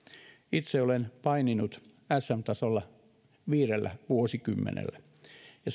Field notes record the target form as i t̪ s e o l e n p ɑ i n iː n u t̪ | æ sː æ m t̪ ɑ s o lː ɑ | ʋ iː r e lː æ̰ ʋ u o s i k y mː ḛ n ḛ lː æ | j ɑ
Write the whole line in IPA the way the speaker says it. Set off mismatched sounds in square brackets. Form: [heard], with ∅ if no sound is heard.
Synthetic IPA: i t̪ s e o l e n p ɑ i n [i] n u t̪ | æ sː æ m t̪ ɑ s o lː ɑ | ʋ iː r e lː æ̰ ʋ u o s i k y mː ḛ n ḛ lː æ | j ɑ